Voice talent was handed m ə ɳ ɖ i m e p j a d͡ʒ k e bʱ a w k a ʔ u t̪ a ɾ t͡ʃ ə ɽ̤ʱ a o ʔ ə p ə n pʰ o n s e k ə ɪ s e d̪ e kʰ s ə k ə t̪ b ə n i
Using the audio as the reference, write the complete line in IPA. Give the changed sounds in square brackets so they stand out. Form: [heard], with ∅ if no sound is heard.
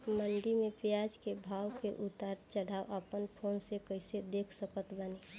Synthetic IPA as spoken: m ə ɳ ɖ i m e p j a d͡ʒ k e bʱ a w k [e] ʔ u t̪ a ɾ t͡ʃ ə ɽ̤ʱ a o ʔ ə p ə n pʰ o n s e k ə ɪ s e d̪ e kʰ s ə k ə t̪ b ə n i

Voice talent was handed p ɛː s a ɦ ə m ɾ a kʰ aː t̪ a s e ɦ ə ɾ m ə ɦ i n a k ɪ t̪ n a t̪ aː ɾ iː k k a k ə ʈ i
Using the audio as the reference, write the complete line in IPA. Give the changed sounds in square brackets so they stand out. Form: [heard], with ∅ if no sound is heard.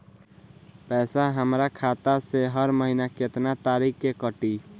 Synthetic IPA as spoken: p ɛː s a ɦ ə m ɾ a kʰ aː t̪ a s e ɦ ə ɾ m ə ɦ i n a k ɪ t̪ n a t̪ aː ɾ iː k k [e] k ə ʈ i

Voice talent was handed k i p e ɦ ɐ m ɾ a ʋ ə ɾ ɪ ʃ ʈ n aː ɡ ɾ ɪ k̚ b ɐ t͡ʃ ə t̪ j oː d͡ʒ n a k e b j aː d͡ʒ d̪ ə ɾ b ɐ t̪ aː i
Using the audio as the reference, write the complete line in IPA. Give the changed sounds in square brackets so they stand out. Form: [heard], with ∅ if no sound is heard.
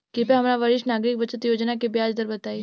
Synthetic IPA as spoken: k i p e ɦ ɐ m ɾ a ʋ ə ɾ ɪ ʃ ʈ n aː ɡ ɾ ɪ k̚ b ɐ t͡ʃ ə t̪ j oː d͡ʒ n a k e b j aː d͡ʒ d̪ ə ɾ b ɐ t̪ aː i

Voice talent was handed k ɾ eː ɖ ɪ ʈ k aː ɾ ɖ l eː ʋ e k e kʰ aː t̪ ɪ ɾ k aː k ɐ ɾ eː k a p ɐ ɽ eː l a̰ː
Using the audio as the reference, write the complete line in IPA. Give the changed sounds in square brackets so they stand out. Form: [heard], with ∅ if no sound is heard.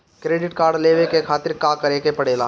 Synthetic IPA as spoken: k ɾ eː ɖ ɪ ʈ k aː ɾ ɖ l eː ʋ e k e kʰ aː t̪ ɪ ɾ k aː k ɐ ɾ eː k [e] p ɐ ɽ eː l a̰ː

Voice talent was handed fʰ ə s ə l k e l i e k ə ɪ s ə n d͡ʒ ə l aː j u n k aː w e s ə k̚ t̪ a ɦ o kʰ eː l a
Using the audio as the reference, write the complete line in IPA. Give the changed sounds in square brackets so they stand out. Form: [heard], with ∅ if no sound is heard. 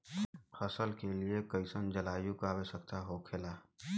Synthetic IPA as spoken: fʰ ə s ə l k e l i e k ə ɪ s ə n d͡ʒ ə l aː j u [∅] k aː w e s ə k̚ t̪ a ɦ o kʰ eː l a

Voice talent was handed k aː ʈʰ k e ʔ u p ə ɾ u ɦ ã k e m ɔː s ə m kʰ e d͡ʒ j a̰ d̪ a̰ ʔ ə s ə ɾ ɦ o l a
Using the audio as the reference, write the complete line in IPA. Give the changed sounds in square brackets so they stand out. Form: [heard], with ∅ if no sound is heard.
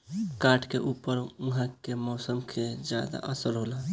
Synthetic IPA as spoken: k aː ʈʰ k e ʔ u p ə ɾ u ɦ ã k e m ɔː s ə m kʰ e d͡ʒ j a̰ d̪ a̰ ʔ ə s ə ɾ ɦ o l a

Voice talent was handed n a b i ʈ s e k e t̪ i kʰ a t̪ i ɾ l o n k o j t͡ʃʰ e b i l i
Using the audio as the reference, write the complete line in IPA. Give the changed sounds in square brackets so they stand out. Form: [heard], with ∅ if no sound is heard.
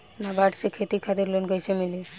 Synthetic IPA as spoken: n a b [a] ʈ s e [kʰ] e t̪ i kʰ a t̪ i ɾ l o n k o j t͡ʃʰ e [m] i l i

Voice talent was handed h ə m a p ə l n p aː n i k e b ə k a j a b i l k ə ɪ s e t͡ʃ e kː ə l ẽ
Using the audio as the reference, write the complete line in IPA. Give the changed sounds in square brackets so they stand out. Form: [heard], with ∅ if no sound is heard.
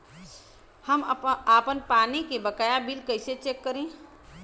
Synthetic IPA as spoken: h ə m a p ə [∅] n p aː n i k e b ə k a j a b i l k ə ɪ s e t͡ʃ e kː ə [ɾ] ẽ

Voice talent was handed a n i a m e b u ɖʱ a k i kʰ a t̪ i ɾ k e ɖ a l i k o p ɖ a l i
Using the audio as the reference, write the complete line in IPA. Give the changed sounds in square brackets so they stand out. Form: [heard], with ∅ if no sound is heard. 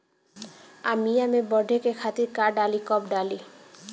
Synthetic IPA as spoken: a [m] i a m e b [ɔ] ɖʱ [e] k [e] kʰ a t̪ i ɾ k [a] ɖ a l i k [ɔ] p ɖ a l i

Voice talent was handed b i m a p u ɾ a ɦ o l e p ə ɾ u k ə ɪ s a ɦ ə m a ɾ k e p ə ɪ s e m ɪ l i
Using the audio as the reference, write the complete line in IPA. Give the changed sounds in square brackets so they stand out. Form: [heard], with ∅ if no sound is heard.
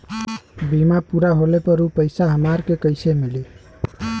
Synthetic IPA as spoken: b i m a p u ɾ a ɦ o l e p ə ɾ u [p] ə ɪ s a ɦ ə m a ɾ k e [k] ə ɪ s e m [i] l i

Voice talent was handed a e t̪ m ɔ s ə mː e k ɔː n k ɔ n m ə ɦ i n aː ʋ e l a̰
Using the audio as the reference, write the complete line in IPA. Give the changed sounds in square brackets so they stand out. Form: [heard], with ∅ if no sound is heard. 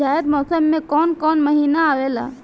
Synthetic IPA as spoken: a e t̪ m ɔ s ə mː e k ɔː n k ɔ n m ə ɦ i n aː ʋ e l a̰

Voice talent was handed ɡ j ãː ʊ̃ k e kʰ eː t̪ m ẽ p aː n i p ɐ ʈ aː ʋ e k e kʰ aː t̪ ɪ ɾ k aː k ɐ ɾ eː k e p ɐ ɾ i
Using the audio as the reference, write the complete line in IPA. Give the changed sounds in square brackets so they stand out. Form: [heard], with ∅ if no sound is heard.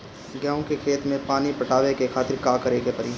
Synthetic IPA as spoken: ɡ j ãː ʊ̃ k e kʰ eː t̪ m ẽ p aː n i p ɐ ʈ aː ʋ e k e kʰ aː t̪ ɪ ɾ k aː k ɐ ɾ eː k e p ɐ ɾ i

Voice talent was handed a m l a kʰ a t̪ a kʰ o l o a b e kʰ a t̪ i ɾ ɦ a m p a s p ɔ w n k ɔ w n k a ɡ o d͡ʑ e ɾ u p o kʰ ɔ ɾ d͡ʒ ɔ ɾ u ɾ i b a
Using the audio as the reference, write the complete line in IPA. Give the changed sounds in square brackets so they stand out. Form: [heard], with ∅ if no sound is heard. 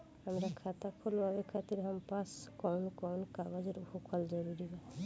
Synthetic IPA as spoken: a m [ɾ] a kʰ a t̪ a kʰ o l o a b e kʰ a t̪ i ɾ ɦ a m p a s [k] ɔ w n k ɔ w n k a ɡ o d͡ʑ e ɾ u p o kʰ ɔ [l] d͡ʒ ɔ ɾ u ɾ i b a

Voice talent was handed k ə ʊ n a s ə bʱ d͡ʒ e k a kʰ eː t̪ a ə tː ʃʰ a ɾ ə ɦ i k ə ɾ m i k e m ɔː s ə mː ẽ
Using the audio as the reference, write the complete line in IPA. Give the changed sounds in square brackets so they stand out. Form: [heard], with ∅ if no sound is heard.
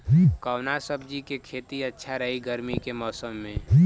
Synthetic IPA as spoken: k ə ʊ n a s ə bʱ d͡ʒ [i] k [e] kʰ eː t̪ [i] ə tː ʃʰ a ɾ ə ɦ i [ɡ] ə ɾ m i k e m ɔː s ə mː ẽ

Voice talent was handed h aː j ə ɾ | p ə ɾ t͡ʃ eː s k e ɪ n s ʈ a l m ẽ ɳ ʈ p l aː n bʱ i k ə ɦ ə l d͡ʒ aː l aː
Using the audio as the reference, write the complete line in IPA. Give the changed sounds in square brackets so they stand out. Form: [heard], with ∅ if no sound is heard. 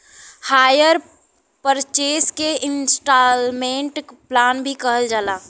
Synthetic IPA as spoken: h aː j ə ɾ | p ə ɾ t͡ʃ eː s k e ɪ n s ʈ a l m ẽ ɳ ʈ p l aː n bʱ i k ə ɦ ə l d͡ʒ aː l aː

